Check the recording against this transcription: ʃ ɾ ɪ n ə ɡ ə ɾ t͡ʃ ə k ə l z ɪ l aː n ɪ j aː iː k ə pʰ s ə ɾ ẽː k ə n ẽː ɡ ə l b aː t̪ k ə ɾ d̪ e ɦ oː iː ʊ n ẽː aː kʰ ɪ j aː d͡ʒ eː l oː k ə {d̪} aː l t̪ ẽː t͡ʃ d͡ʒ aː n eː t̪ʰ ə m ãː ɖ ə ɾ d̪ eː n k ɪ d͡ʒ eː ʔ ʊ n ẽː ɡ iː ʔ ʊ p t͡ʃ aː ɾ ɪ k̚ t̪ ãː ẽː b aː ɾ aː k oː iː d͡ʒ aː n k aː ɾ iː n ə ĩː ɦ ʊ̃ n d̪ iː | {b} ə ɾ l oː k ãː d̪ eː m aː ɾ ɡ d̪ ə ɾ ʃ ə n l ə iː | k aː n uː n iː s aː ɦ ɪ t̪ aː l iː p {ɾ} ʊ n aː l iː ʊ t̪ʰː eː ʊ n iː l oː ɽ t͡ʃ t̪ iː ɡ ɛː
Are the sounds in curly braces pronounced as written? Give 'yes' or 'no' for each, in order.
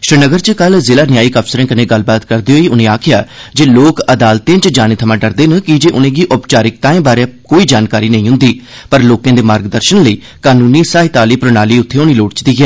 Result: yes, no, yes

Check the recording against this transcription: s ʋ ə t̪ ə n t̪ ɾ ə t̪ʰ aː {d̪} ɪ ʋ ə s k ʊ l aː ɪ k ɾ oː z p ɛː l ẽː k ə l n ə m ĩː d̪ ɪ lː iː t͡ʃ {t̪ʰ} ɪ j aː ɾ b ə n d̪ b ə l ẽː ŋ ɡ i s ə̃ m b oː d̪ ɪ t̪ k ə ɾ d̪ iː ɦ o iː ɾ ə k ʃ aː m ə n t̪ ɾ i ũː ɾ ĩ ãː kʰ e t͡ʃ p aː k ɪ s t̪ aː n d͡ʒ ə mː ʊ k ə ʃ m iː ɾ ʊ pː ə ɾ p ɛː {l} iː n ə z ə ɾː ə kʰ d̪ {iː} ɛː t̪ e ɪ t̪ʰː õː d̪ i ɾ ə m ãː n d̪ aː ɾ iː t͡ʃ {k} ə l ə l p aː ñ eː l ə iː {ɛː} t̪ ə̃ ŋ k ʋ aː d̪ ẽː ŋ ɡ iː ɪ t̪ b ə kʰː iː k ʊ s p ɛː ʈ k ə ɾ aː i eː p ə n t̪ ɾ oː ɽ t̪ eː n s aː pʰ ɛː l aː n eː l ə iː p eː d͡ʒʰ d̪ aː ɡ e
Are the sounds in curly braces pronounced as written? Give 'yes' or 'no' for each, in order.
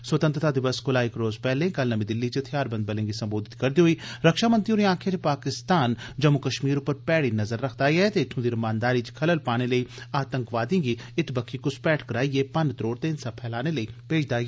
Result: yes, yes, no, no, no, no

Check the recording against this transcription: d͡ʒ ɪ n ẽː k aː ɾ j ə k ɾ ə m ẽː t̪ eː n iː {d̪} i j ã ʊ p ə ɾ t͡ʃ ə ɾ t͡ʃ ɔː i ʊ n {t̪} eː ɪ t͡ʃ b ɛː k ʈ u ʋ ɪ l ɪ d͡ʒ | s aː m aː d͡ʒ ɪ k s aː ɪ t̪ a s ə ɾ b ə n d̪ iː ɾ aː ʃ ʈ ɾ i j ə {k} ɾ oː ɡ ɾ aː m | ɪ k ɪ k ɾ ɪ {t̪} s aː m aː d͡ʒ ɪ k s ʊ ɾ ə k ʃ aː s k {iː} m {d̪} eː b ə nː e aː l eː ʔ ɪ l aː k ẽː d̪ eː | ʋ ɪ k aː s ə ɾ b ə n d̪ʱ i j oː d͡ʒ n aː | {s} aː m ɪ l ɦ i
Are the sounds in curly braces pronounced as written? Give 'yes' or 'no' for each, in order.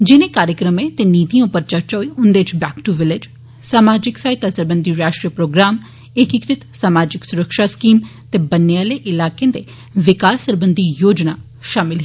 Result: no, no, no, yes, yes, no, no

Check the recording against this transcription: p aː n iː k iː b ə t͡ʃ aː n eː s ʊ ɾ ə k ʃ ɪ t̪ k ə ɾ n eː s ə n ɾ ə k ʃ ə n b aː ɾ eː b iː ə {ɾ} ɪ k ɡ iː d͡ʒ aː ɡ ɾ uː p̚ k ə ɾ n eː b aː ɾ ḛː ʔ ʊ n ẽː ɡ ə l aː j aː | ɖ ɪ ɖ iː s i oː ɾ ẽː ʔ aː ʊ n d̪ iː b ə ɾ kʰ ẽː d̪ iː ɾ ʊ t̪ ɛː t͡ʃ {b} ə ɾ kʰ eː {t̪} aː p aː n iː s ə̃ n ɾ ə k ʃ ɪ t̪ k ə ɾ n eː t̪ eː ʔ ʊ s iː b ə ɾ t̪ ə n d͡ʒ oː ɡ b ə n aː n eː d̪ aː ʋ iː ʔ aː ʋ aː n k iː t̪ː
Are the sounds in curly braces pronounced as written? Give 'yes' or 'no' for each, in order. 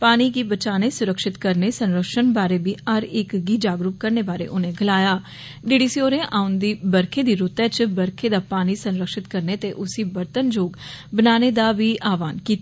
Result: yes, yes, no

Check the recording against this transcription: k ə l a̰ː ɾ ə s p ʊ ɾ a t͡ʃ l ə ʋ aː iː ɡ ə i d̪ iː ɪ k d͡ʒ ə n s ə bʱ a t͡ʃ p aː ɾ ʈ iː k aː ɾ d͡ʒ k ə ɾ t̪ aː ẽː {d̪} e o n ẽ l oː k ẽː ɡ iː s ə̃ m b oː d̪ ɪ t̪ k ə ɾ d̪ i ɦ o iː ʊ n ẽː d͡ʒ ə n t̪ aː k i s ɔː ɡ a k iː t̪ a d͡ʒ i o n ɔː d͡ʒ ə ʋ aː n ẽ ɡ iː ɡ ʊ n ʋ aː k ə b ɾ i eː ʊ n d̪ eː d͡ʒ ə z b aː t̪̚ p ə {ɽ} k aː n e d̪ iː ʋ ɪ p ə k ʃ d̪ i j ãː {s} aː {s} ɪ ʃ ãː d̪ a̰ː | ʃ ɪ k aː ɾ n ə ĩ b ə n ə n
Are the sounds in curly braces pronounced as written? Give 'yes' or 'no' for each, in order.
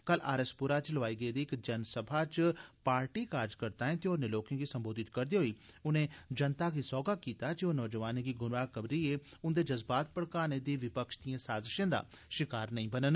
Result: no, yes, yes, no

